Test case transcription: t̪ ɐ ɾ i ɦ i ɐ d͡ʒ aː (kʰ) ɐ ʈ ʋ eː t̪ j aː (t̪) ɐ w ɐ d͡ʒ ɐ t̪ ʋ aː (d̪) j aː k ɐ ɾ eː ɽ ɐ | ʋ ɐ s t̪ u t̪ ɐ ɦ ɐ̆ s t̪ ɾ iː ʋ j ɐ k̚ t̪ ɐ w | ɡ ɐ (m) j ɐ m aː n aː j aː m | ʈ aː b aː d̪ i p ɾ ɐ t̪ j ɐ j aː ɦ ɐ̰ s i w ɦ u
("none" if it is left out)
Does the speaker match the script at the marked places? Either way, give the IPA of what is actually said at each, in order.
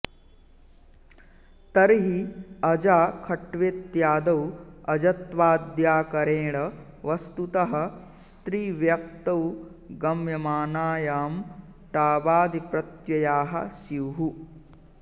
kʰ, d̪, d̪, m

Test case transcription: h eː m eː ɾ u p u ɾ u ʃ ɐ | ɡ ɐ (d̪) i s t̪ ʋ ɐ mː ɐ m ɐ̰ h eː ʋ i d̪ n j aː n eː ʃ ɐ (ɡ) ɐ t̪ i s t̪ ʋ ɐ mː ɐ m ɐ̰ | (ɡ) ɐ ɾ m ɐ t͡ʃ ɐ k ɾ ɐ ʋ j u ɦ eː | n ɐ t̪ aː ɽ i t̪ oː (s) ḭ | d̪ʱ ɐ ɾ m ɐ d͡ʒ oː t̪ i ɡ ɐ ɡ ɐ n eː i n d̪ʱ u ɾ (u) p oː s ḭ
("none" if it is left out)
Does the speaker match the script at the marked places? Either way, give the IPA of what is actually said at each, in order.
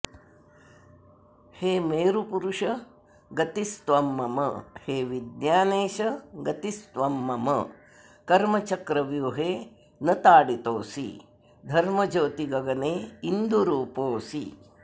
t̪, ɡ, k, s, uː

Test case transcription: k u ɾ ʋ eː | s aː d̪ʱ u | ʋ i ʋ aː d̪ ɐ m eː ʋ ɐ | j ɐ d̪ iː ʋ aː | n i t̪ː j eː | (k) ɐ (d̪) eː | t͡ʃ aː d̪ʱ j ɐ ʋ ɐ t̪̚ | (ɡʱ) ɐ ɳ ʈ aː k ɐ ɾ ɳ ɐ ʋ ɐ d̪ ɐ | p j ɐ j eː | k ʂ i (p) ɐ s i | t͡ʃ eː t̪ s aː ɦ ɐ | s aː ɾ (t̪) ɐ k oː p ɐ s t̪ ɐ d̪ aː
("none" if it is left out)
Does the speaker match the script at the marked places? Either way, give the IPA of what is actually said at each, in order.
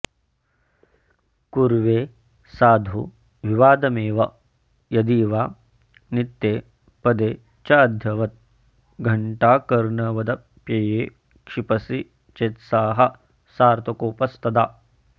p, d̪, ɡʱ, p, t̪

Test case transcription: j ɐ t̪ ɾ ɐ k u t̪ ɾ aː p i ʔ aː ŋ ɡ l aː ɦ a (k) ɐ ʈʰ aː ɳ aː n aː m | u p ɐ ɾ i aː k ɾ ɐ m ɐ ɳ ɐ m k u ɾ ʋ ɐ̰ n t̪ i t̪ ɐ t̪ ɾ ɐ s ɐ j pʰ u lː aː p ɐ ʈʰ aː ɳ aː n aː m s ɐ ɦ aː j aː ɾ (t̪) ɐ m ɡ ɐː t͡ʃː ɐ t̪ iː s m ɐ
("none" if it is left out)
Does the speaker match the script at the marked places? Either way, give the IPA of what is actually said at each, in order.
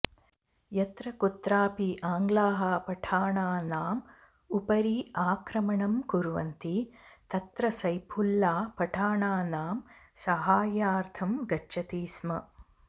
p, t̪ʰ

